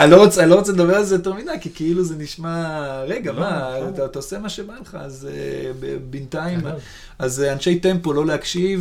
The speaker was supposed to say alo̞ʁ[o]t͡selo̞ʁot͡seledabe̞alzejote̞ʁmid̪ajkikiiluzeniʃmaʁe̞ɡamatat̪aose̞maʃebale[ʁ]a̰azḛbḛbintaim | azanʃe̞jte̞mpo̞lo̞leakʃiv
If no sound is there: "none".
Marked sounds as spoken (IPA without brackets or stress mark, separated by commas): o, χ